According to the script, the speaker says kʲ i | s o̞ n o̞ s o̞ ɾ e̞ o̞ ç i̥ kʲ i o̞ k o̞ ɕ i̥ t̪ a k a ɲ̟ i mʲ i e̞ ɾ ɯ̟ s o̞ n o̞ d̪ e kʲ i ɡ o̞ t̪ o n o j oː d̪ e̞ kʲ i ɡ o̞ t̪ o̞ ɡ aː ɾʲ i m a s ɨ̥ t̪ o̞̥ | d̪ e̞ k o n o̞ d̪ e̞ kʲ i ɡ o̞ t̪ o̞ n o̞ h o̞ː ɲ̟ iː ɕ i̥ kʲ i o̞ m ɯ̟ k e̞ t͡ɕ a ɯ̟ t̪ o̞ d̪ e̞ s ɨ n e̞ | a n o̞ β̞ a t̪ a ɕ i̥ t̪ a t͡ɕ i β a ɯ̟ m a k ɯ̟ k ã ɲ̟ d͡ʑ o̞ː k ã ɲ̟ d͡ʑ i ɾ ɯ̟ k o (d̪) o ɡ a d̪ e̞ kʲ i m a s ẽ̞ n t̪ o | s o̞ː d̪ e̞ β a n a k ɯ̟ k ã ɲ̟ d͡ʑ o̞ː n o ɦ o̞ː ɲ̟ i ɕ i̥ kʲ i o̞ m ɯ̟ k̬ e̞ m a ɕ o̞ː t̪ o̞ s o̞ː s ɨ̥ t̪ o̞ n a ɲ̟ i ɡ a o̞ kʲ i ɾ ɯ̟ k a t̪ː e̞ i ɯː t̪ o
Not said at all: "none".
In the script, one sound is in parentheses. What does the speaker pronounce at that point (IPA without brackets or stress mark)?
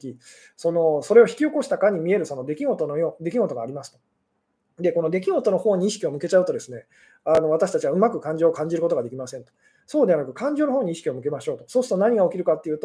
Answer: t̪